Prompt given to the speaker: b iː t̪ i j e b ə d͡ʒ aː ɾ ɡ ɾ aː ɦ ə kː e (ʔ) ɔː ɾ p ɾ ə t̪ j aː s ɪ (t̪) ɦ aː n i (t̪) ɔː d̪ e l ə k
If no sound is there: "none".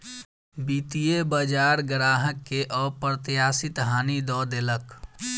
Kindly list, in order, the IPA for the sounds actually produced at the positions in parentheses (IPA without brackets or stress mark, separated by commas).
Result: ʔ, t̪, d̪